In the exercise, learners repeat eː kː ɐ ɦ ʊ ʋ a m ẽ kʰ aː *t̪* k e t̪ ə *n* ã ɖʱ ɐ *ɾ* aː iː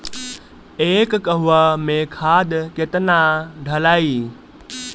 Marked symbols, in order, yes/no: no, yes, no

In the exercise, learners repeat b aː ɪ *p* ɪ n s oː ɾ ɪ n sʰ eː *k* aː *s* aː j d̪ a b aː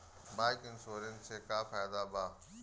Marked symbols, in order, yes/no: no, yes, no

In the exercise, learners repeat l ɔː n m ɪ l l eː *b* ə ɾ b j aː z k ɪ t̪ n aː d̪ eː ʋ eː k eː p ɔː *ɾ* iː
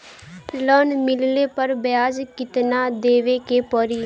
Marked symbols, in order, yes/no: no, yes

